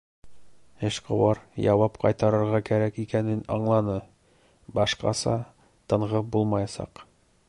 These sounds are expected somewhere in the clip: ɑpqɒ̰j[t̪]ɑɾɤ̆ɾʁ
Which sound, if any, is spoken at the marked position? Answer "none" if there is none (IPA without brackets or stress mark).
t̪